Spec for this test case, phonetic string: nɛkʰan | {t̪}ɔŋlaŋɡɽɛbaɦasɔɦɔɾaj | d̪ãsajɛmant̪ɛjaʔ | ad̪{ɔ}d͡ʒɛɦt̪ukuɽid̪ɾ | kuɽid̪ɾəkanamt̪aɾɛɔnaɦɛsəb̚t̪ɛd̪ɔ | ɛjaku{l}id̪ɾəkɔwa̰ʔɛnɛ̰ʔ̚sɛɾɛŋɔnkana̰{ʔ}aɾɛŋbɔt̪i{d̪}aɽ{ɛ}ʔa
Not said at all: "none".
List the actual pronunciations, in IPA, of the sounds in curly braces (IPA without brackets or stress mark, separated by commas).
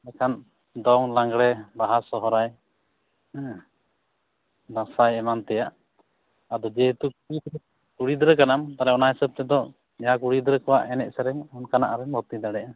d̪, ɔ, ɽ, ʔ, d̪, ɛ